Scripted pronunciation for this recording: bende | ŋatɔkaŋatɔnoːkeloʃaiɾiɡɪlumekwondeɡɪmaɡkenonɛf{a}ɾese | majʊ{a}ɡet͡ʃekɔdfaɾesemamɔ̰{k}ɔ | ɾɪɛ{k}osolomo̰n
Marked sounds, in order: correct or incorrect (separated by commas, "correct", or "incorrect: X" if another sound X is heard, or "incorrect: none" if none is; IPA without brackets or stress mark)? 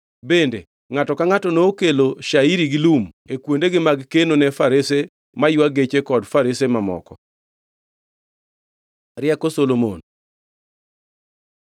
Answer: correct, correct, correct, correct